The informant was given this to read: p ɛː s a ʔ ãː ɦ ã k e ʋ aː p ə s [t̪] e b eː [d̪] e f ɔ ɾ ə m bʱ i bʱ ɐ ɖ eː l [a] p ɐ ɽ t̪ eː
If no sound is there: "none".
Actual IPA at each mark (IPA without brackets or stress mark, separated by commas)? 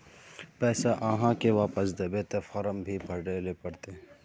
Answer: d̪, t̪, e